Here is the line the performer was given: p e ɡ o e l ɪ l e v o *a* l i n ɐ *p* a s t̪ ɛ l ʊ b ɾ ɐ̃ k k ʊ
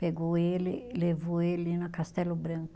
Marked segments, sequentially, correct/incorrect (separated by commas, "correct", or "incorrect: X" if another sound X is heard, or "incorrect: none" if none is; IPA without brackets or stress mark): incorrect: e, incorrect: k